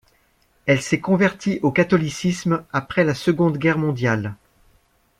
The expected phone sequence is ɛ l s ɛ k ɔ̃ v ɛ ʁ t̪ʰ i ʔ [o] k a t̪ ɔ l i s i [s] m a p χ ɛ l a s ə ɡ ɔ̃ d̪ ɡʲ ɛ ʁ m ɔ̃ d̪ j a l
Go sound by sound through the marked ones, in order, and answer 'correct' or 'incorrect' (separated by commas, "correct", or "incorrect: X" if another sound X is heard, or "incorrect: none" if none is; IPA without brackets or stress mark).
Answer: correct, correct